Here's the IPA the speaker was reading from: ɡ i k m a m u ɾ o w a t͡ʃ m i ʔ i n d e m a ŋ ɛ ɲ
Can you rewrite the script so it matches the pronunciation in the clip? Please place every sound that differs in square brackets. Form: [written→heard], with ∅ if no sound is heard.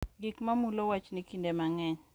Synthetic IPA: ɡ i k m a m u [ɾ→l] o w a t͡ʃ [m→n] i [ʔ→k] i n d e m a ŋ ɛ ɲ